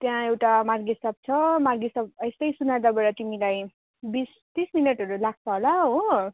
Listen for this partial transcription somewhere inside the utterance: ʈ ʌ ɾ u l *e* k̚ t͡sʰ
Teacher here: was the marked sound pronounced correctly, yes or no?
no